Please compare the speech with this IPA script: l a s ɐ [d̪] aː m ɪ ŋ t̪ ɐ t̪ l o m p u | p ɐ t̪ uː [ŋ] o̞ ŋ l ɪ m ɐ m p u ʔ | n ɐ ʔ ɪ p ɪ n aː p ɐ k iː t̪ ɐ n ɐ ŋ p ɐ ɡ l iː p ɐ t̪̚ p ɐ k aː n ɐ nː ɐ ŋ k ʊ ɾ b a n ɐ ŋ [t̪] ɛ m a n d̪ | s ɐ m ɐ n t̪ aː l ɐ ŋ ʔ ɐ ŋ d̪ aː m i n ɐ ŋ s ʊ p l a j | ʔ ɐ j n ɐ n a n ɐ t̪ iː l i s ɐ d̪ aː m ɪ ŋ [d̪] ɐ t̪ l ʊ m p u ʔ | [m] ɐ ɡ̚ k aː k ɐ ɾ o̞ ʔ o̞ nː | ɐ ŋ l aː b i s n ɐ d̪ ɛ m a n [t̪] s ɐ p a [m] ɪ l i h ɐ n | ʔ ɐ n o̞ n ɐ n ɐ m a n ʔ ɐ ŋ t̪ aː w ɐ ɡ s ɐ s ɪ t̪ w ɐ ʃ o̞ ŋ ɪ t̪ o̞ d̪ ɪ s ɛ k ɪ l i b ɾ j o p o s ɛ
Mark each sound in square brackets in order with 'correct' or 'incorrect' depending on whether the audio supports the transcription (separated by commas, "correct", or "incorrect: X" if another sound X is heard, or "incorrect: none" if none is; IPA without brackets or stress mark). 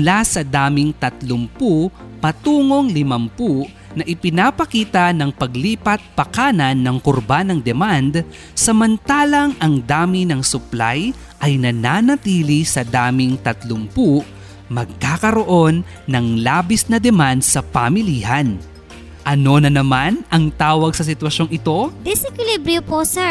correct, correct, incorrect: d̪, incorrect: t̪, correct, incorrect: d̪, correct